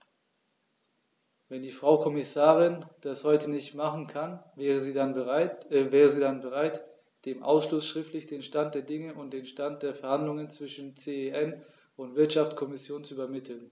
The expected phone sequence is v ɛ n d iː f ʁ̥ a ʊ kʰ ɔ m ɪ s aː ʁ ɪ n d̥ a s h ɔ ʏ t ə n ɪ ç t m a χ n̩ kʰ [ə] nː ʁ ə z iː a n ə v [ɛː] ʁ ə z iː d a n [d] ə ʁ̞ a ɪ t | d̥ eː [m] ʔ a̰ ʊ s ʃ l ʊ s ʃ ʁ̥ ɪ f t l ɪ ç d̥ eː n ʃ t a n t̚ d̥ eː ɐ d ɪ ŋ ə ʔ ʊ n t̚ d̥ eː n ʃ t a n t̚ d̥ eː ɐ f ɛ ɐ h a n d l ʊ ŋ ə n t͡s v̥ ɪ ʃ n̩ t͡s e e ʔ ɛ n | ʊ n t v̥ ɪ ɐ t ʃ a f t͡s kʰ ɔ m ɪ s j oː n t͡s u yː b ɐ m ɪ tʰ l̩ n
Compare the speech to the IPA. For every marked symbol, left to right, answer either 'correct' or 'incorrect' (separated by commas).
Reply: incorrect, correct, incorrect, correct